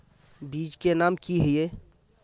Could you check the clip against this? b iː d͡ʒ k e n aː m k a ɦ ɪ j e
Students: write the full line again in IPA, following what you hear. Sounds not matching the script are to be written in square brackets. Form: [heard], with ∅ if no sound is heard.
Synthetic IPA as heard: b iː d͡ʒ k e n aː m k [i] ɦ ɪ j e

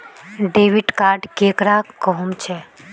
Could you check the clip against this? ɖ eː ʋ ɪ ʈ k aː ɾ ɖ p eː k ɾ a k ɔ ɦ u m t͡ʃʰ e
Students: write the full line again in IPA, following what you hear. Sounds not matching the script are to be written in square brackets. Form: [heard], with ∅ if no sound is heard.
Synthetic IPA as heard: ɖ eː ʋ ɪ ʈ k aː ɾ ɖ [k] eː k ɾ a k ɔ ɦ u m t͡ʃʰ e

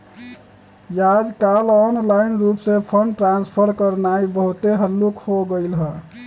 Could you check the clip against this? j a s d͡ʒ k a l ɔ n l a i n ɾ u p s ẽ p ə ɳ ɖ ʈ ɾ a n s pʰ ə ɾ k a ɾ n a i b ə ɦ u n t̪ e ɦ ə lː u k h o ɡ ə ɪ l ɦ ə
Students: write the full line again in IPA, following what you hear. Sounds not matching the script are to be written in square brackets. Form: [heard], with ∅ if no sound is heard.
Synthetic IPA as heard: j a [∅] d͡ʒ k a l ɔ n l a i n ɾ u p s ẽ [pʰ] ə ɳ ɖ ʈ ɾ a n s pʰ ə ɾ k [ə] ɾ n a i b ə ɦ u [∅] t̪ e ɦ ə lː u k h o ɡ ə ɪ l ɦ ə

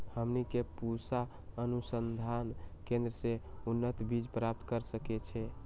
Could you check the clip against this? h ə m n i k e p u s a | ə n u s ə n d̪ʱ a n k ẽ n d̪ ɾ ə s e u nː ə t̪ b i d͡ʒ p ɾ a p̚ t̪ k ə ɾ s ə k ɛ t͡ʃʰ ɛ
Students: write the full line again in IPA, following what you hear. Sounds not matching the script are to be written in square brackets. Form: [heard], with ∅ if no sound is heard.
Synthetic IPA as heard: h ə m n i k e p u s a | ə n u s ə n d̪ʱ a n k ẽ n d̪ ɾ ə s e u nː ə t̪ b i d͡ʒ p ɾ a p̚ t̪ k ə ɾ s ə k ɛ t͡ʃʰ ɛ

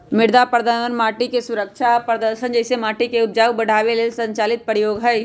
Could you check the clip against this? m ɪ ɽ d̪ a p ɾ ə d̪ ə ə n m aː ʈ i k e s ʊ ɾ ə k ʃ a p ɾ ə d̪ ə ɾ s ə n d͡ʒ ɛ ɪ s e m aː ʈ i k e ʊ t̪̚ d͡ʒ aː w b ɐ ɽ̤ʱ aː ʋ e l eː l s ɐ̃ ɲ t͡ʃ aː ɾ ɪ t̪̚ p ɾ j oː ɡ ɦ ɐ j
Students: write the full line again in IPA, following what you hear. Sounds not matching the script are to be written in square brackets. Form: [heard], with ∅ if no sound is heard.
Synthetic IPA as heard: m ɪ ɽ d̪ a p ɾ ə d̪ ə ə n m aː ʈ i k e s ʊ ɾ ə k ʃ a p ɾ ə d̪ ə ɾ [ʃ] ə n d͡ʒ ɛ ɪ s e m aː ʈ i k e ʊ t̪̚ d͡ʒ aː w b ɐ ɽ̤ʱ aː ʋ e l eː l s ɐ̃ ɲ t͡ʃ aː [l] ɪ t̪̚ p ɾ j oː ɡ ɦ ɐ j

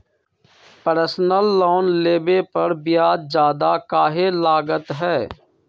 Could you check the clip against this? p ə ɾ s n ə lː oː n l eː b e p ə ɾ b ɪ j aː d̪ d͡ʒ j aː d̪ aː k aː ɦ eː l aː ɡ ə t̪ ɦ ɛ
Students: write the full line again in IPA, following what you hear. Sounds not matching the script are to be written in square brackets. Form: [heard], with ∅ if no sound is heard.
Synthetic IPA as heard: p ə ɾ s n ə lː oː n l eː b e p ə ɾ b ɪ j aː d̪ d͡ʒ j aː d̪ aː k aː ɦ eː l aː ɡ ə t̪ ɦ [ɛː]

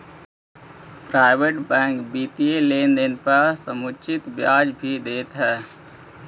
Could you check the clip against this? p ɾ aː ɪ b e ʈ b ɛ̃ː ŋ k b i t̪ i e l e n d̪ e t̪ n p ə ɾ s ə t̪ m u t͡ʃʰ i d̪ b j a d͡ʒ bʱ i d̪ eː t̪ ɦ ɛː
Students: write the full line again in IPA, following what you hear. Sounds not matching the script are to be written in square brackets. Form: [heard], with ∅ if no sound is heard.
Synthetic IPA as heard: p ɾ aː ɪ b e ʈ b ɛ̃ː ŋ k b i t̪ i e l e n d̪ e [∅] n p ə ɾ s ə [∅] m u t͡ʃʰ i [t̪] b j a d͡ʒ bʱ i d̪ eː t̪ ɦ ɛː

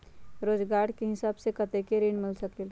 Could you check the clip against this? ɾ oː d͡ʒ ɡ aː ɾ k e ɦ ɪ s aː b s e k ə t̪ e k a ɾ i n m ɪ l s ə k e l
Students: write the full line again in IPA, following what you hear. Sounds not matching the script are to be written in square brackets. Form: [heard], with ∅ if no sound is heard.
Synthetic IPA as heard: ɾ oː d͡ʒ ɡ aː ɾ k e ɦ ɪ s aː b s e k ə t̪ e k [e] ɾ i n m ɪ l s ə k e l

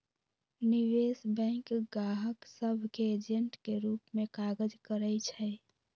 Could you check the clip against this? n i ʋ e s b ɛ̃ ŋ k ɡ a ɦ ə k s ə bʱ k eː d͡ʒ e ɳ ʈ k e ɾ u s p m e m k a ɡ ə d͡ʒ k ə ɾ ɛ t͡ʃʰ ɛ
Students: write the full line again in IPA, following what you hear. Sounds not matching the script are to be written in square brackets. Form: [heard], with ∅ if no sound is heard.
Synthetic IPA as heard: n i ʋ e s b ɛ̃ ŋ k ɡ a ɦ ə k s ə bʱ k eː d͡ʒ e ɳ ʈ k e ɾ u [∅] p m e [∅] k a ɡ ə d͡ʒ k ə ɾ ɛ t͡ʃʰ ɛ

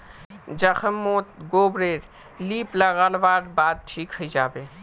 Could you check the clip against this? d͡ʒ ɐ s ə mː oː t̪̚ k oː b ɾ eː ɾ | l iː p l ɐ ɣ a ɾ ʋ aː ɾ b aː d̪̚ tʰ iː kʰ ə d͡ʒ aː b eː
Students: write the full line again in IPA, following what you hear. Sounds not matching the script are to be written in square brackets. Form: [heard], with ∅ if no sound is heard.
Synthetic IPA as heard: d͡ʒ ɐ [x] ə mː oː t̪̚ [ɡ] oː b ɾ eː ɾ | l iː p l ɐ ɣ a [l] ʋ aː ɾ b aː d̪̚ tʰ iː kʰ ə d͡ʒ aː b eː

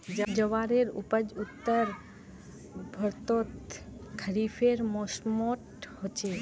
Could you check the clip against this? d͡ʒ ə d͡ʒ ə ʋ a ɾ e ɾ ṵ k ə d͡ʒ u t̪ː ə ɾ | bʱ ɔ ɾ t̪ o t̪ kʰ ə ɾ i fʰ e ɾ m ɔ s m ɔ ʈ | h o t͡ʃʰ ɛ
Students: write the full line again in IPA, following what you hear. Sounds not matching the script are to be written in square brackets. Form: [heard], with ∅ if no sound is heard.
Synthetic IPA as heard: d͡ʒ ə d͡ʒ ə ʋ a ɾ e ɾ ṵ [p] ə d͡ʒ u t̪ː ə ɾ | bʱ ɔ ɾ t̪ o t̪ kʰ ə ɾ i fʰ e ɾ m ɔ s m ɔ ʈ | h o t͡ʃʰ [e]

